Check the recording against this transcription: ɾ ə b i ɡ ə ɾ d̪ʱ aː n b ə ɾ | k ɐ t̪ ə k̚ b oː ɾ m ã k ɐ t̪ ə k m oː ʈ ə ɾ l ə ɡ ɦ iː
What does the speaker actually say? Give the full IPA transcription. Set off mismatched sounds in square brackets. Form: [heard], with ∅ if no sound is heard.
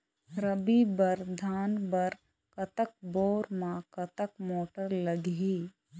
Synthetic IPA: ɾ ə b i [b] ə ɾ d̪ʱ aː n b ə ɾ | k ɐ t̪ ə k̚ b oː ɾ m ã k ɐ t̪ ə k m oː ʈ ə ɾ l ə ɡ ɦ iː